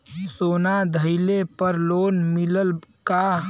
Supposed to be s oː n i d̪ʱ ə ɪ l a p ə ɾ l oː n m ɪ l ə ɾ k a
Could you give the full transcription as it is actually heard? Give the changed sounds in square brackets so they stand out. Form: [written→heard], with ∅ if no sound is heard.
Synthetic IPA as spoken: s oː n [i→a] d̪ʱ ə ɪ l [a→e] p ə ɾ l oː n m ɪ l ə [ɾ→l] k a